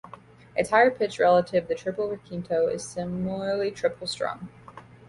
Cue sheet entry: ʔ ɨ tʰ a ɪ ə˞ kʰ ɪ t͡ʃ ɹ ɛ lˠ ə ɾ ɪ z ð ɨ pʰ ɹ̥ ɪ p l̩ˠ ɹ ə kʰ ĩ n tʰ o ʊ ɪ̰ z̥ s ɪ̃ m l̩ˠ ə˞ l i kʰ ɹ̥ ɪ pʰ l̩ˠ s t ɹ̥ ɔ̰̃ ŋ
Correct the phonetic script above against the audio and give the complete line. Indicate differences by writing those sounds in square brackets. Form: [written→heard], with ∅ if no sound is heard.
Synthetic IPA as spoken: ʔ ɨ tʰ a ɪ ə˞ [kʰ→pʰ] ɪ t͡ʃ ɹ ɛ lˠ ə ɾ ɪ [z→v] ð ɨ [pʰ→tʰ] ɹ̥ ɪ p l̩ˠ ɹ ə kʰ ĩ n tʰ o ʊ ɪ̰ z̥ s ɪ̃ m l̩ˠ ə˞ l i [kʰ→tʰ] ɹ̥ ɪ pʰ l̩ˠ s t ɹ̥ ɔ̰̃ ŋ